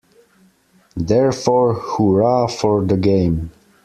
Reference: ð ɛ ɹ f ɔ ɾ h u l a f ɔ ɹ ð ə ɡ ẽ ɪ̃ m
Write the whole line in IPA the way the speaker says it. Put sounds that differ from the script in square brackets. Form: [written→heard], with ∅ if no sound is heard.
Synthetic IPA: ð ɛ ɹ f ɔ [ɾ→ɹ] h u [l→ɹ] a f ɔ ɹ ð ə ɡ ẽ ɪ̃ m

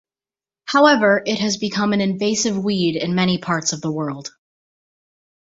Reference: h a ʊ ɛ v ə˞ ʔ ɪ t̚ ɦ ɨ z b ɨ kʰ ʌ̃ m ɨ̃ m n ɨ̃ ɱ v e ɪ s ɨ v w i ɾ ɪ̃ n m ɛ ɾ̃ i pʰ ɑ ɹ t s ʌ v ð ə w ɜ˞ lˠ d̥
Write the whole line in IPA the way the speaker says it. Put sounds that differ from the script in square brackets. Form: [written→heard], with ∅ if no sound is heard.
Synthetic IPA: h a ʊ ɛ v ə˞ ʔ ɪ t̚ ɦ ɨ z b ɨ kʰ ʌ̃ m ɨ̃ [m→∅] n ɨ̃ ɱ v e ɪ s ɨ v w i ɾ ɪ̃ n m ɛ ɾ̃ i pʰ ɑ ɹ t s ʌ v ð ə w ɜ˞ lˠ d̥

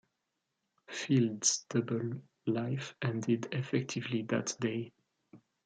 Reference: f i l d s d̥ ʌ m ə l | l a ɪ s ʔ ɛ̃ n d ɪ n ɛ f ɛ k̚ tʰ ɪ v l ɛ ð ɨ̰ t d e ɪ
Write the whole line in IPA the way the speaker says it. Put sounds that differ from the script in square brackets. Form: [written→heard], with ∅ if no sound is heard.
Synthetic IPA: f i l d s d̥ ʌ [m→b] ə l | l a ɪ [s→f] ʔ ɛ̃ n d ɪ [n→d] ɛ f ɛ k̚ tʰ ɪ v l [ɛ→i] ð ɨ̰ t d e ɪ

